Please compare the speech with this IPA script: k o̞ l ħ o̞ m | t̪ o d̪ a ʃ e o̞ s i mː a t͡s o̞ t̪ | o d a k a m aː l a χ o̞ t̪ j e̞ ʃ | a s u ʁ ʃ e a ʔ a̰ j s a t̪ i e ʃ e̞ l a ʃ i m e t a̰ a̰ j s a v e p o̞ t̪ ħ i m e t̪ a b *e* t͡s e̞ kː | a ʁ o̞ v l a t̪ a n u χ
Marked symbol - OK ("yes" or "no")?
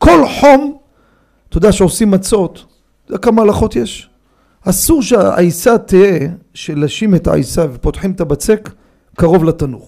no